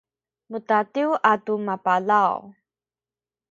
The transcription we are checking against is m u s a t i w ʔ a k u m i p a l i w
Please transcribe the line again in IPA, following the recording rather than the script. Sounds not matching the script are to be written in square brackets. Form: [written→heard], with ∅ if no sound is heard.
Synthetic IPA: m u [s→t] a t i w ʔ a [k→t] u m [i→a] p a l [i→a] w